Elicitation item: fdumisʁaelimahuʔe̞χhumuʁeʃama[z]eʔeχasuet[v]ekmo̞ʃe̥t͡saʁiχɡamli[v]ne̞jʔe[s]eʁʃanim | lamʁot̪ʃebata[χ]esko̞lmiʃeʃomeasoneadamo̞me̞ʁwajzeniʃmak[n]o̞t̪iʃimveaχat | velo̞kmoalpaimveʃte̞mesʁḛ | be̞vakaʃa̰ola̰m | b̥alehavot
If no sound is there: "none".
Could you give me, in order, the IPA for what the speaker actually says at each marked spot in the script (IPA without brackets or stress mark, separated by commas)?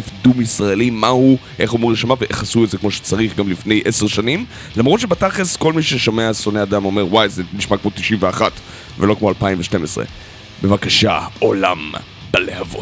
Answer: v, z, f, s, χ, m